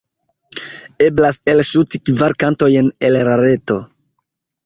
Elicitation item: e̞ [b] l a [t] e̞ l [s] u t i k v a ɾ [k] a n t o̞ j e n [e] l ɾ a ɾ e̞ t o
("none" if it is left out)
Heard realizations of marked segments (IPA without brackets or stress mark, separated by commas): b, s, ʃ, k, e